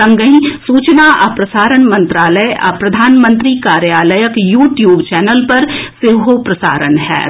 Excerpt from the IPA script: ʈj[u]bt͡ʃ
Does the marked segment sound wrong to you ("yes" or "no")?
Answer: yes